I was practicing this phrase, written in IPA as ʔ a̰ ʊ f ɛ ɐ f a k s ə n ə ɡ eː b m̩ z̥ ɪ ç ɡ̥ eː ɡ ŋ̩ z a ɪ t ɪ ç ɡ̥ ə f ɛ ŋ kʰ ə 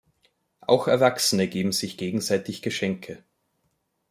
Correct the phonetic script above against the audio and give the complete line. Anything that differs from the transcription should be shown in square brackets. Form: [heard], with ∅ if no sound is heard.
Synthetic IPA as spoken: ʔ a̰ ʊ [x] ɛ ɐ [v] a k s ə n ə ɡ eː b m̩ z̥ ɪ ç ɡ̥ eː ɡ ŋ̩ z a ɪ t ɪ ç ɡ̥ ə [ʃ] ɛ ŋ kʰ ə